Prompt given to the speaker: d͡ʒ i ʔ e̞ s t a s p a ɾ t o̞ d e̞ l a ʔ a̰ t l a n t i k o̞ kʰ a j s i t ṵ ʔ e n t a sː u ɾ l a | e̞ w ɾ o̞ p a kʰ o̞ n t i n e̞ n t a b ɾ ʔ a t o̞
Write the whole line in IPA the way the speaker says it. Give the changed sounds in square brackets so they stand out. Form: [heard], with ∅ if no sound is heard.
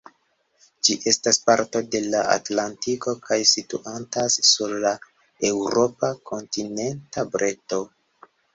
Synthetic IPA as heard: d͡ʒ i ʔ e̞ s t a s p a ɾ t o̞ d e̞ l a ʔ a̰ t l a n t i k o̞ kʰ a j s i t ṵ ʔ [a] n t a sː u ɾ l a | e̞ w ɾ o̞ p a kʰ o̞ n t i n e̞ n t a b ɾ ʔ [e] t o̞